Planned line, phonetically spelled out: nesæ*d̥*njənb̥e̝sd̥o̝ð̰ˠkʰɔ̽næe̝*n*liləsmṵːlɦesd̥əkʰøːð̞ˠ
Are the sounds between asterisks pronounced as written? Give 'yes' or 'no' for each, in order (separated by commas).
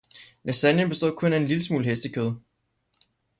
no, yes